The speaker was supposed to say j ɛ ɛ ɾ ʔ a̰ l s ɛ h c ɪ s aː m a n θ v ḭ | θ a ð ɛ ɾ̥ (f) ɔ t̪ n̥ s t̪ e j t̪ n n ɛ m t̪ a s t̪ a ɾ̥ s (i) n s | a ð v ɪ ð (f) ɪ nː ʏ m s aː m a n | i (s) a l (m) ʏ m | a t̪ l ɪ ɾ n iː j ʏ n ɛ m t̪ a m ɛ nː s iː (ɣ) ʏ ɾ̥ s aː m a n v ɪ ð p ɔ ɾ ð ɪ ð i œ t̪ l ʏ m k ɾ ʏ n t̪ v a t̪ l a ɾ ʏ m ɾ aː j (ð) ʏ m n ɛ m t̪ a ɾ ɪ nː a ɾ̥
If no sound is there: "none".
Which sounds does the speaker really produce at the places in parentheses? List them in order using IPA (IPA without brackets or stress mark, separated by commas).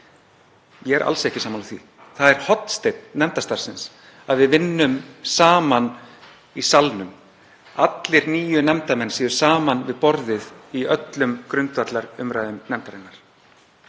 h, ɪ, v, s, n, ð, ð